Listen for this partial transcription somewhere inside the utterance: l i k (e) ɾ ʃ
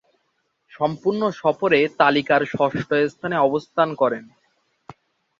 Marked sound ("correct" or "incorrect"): incorrect